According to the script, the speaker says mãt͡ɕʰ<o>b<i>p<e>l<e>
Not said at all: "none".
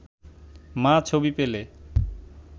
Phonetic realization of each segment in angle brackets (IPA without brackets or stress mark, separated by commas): o, i, e, e